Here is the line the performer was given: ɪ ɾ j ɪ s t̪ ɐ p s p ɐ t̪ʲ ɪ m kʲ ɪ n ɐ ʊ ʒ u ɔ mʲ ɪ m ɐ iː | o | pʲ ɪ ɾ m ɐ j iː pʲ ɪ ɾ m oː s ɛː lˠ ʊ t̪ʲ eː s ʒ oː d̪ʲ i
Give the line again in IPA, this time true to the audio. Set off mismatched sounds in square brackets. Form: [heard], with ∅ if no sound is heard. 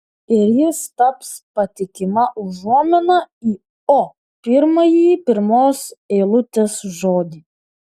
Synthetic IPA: ɪ ɾ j ɪ s t̪ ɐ p s p ɐ t̪ʲ ɪ [∅] kʲ ɪ [m] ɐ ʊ ʒ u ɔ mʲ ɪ [n] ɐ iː | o | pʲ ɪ ɾ m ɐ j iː pʲ ɪ ɾ m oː s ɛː lˠ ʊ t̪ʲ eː s ʒ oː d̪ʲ i